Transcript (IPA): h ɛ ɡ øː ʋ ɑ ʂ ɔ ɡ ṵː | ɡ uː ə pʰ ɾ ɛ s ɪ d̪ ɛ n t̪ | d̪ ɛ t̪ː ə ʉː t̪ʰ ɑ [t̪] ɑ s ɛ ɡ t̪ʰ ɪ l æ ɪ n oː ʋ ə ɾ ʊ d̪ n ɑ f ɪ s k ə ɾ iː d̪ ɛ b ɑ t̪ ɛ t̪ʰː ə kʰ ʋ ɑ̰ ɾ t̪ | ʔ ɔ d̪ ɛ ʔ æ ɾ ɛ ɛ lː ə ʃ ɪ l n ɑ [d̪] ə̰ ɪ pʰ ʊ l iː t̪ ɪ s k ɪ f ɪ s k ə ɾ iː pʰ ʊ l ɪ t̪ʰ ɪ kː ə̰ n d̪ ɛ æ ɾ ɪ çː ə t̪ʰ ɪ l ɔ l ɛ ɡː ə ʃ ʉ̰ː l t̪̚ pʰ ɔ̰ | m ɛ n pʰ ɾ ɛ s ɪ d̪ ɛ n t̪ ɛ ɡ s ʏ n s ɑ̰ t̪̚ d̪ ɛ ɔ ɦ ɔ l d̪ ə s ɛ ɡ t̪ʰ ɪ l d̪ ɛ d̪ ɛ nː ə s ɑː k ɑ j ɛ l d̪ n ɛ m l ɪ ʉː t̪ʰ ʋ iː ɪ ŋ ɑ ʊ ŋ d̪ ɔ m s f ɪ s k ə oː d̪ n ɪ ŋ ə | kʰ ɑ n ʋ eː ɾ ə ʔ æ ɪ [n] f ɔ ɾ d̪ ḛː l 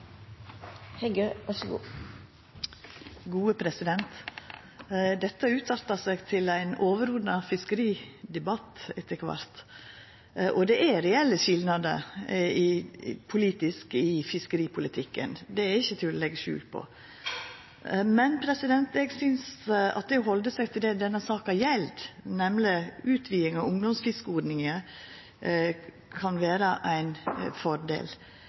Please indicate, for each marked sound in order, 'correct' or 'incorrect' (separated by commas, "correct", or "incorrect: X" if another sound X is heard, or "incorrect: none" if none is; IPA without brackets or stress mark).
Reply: correct, correct, correct